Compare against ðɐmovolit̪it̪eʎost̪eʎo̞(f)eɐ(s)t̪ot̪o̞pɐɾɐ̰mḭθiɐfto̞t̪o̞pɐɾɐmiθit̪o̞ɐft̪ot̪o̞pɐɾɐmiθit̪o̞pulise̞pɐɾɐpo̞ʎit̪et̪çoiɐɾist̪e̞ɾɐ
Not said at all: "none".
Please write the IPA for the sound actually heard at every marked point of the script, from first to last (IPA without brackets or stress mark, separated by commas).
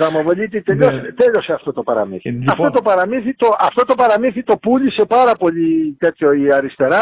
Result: s, f